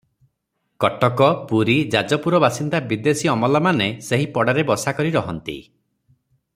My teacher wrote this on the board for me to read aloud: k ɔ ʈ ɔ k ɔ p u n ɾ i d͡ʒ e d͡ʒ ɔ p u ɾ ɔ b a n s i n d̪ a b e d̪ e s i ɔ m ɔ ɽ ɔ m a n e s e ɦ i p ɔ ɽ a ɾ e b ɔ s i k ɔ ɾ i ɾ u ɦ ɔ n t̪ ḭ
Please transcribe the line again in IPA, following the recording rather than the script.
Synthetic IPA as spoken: k ɔ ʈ ɔ k ɔ p u ɾ i d͡ʒ a d͡ʒ ɔ p u ɾ ɔ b a s i n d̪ a b i d̪ e s i ɔ m ɔ l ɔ m a n e s e ɦ i p ɔ ɽ a ɾ e b ɔ s a k ɔ ɾ i ɾ ɔ ɦ ɔ n t̪ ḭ